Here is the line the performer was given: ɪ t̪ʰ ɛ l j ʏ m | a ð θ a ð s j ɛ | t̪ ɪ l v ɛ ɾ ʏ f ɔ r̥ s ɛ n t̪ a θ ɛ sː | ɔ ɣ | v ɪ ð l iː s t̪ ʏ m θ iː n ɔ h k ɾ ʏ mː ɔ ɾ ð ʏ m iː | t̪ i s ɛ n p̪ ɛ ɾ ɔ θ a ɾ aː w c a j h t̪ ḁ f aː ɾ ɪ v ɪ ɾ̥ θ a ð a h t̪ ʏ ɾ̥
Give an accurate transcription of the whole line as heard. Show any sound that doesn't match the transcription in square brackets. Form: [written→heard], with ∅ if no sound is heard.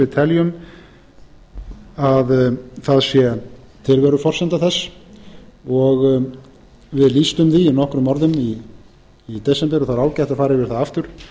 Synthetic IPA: ɪ t̪ʰ ɛ l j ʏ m | a ð θ a ð s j ɛ | [t̪→t̪ʰ] ɪ l v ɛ ɾ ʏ f ɔ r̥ s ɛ n t̪ a θ ɛ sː | ɔ ɣ | v ɪ ð l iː s t̪ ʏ m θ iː n ɔ h k ɾ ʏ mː ɔ ɾ ð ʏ m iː | t̪ [i→ɛ] s ɛ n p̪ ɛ ɾ ɔ θ a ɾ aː w c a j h t̪ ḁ f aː ɾ ɪ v ɪ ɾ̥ θ a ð a [h→f] t̪ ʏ ɾ̥

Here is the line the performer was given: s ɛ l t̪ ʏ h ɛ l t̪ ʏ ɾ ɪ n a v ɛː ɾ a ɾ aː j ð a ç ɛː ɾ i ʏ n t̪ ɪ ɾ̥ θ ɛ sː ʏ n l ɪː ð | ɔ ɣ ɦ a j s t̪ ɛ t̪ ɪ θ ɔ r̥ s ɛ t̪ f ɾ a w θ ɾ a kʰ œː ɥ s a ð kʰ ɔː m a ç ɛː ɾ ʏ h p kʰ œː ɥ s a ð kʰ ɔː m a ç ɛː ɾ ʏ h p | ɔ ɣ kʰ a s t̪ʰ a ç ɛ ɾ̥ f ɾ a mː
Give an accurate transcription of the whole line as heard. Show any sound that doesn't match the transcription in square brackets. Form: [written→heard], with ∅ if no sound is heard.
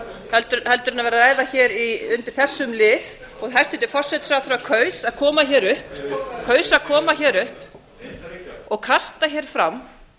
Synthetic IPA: [s→h] ɛ l t̪ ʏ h ɛ l t̪ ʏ ɾ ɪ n a v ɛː ɾ a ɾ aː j ð a ç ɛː ɾ i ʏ n t̪ ɪ ɾ̥ θ ɛ sː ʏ [n→m] l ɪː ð | ɔ ɣ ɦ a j s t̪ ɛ t̪ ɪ [θ→f] ɔ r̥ s ɛ t̪ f ɾ a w θ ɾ a kʰ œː ɥ s a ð kʰ ɔː m a ç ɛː ɾ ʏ h p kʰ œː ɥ s a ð kʰ ɔː m a ç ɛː ɾ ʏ h p | ɔ ɣ kʰ a s [t̪ʰ→t̪] a ç ɛ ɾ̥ f ɾ a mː

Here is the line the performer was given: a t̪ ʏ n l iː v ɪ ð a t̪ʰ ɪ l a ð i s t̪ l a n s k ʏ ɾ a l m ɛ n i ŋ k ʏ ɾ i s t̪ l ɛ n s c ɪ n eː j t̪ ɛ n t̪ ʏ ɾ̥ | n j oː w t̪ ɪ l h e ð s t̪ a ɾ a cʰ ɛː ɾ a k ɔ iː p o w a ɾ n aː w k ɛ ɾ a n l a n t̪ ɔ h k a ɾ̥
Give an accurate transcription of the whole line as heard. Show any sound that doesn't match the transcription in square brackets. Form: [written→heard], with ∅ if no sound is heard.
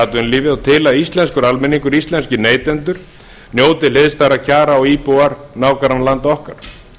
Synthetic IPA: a t̪ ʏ n l iː v ɪ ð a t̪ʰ ɪ l a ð i s t̪ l [a→ɛ] n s k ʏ ɾ a l m ɛ n i ŋ k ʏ ɾ i s t̪ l ɛ n s c ɪ n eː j t̪ ɛ n t̪ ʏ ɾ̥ | n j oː w t̪ ɪ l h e ð s t̪ a ɾ a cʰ [ɛː→aː] ɾ a [k→∅] ɔ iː p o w a ɾ n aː w k [ɛ→a] ɾ a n l a n t̪ ɔ h k a ɾ̥

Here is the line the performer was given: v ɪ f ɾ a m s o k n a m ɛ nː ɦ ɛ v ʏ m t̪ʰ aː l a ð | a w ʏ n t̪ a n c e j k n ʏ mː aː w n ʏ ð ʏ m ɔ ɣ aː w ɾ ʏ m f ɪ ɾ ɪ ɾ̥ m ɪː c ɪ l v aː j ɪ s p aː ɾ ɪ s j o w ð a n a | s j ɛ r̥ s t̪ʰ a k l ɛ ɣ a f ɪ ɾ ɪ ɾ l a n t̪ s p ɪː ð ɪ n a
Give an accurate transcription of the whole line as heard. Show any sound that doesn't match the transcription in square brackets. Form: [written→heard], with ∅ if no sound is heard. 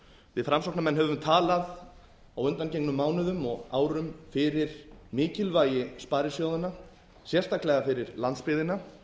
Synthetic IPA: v ɪ f ɾ a m s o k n a m ɛ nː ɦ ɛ v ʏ m t̪ʰ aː l a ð | a w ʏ n t̪ a n c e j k n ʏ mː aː w n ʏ ð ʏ m ɔ ɣ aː w ɾ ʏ m f ɪ ɾ ɪ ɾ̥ m ɪː c ɪ l v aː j ɪ s p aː ɾ ɪ s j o w ð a n a | s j ɛ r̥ s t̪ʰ a k l ɛ ɣ a f ɪ ɾ ɪ ɾ l a n t̪ s p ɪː ð ɪ n a

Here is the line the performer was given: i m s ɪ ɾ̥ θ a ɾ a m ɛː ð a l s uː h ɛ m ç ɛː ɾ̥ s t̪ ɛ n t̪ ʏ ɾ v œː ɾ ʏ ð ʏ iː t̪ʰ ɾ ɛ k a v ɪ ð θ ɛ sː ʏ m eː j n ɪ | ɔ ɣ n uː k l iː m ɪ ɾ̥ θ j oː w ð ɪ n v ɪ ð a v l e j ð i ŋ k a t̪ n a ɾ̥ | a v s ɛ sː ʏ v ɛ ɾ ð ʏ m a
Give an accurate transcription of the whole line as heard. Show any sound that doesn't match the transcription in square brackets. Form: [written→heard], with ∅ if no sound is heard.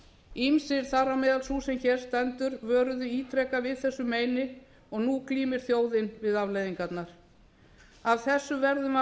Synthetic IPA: i m s ɪ ɾ̥ θ a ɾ a m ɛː ð a l s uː [h→s] ɛ m ç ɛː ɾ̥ s t̪ ɛ n t̪ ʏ ɾ v œː ɾ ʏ ð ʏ iː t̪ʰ ɾ ɛ k a v ɪ ð θ ɛ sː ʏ m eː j n ɪ | ɔ ɣ n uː k l iː m ɪ ɾ̥ θ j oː w ð ɪ n v ɪ ð a v l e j ð i ŋ k a t̪ n a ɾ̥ | a v [s→θ] ɛ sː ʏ v ɛ ɾ ð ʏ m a

